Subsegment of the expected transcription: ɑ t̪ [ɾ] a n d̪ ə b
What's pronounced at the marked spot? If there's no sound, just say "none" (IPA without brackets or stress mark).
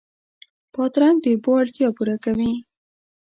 ɾ